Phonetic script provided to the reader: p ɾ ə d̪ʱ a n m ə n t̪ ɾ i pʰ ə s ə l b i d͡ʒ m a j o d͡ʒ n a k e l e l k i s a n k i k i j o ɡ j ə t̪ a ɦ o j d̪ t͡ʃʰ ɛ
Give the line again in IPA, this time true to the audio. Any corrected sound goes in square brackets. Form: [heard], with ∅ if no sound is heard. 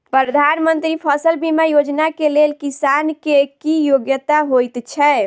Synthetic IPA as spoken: p ɾ ə d̪ʱ a n m ə n t̪ ɾ i pʰ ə s ə l b i [∅] m a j o d͡ʒ n a k e l e l k i s a n k [e] k i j o ɡ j ə t̪ a ɦ o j [t̪] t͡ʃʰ ɛ